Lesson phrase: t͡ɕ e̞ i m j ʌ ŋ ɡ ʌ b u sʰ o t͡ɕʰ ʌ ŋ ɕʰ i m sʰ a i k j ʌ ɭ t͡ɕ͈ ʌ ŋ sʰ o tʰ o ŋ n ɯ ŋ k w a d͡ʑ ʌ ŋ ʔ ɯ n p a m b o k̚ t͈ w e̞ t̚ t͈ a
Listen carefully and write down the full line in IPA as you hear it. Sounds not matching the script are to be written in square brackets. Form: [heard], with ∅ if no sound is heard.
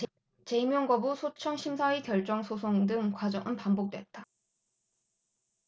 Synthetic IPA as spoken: t͡ɕ e̞ i m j ʌ ŋ ɡ ʌ b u sʰ o t͡ɕʰ ʌ ŋ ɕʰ i m sʰ a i k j ʌ ɭ t͡ɕ͈ ʌ ŋ sʰ o [sʰ] o ŋ [d] ɯ ŋ k w a d͡ʑ ʌ ŋ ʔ ɯ n p a m b o k̚ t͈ w e̞ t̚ t͈ a